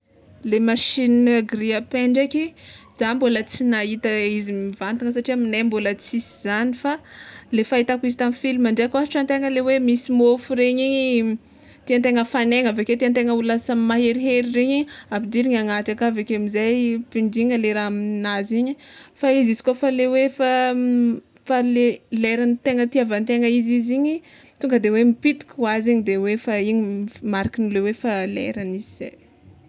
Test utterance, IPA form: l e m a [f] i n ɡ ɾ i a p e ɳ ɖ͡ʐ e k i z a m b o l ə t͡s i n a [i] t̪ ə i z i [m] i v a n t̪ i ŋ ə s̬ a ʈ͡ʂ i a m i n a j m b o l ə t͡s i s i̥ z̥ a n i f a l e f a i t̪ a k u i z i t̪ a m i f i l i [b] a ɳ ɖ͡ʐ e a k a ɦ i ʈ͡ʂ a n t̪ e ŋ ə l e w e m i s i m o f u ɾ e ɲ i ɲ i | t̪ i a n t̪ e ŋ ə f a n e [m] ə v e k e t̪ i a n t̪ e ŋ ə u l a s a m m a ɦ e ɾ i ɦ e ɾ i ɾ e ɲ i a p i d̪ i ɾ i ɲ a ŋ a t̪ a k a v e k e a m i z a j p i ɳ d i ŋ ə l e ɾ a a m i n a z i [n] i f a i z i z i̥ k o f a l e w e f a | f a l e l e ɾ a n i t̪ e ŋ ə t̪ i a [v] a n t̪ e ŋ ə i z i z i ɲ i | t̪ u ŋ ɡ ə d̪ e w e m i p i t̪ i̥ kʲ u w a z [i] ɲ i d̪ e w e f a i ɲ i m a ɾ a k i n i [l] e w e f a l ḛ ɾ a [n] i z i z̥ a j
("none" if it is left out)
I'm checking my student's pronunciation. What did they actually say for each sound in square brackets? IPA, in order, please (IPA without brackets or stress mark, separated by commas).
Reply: ʃ, i, m, m, ŋ, ɲ, v, i, l, n